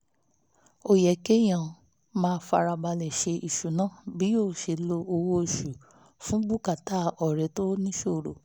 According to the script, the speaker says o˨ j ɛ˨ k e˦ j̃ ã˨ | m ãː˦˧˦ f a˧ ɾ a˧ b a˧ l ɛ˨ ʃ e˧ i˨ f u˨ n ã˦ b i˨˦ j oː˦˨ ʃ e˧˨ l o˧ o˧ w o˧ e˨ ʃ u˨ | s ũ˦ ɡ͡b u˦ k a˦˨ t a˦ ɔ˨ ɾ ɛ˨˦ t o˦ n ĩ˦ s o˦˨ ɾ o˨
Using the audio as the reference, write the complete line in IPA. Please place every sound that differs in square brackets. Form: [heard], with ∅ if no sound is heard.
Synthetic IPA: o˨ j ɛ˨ k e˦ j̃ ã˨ | m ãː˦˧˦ f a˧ ɾ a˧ b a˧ l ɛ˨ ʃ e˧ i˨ [ʃ] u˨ n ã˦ b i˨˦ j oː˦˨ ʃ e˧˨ l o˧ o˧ w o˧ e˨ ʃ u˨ | [f] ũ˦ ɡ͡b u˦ k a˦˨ t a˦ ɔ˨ ɾ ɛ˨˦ t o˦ n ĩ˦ [ʃ] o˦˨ ɾ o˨